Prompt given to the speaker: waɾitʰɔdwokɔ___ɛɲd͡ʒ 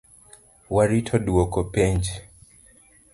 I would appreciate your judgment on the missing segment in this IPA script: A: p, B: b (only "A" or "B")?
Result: A